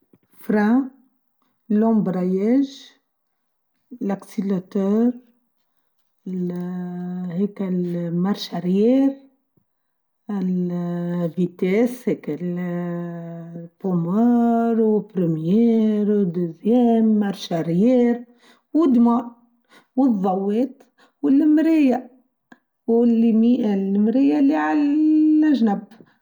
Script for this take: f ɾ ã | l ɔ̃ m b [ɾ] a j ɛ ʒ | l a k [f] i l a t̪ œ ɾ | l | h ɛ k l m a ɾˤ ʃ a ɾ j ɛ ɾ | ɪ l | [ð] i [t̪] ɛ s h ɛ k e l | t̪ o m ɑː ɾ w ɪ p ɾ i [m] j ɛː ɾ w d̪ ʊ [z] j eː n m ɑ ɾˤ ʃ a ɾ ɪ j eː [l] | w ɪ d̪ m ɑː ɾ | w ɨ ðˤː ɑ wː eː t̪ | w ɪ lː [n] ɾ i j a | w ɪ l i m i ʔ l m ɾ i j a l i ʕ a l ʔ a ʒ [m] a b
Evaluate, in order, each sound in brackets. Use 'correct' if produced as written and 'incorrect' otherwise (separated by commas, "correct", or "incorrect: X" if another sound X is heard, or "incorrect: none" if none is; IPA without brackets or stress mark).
correct, incorrect: s, incorrect: v, correct, correct, correct, incorrect: ɾ, incorrect: m, incorrect: n